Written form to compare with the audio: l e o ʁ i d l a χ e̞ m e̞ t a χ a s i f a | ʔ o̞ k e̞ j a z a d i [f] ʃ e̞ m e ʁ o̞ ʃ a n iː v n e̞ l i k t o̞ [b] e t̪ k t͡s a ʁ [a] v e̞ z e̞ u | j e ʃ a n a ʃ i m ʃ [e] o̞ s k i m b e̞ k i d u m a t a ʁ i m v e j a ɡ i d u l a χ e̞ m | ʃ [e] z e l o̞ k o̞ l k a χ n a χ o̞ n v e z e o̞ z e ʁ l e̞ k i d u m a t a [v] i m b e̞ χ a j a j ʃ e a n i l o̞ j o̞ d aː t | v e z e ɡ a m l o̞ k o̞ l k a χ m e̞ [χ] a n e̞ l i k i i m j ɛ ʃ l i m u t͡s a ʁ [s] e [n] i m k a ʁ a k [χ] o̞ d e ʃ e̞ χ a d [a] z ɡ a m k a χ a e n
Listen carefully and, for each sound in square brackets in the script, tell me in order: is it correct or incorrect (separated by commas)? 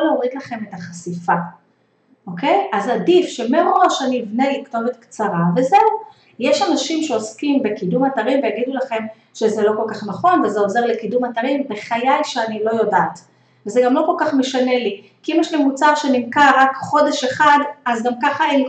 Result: correct, incorrect, correct, correct, correct, incorrect, incorrect, incorrect, correct, correct, correct